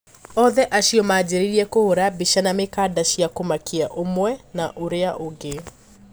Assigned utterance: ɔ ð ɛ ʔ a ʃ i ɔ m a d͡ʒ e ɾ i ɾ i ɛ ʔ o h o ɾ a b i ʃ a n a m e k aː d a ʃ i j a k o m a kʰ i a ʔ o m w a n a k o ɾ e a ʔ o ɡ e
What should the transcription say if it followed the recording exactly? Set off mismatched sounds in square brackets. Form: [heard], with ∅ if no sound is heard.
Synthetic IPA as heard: ɔ ð ɛ ʔ a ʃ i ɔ m a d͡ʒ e ɾ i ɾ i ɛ [k] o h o ɾ a b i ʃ a n a m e k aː d a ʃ i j a k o m a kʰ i a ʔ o m w [ɛ] n a [ʔ] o ɾ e a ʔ o ɡ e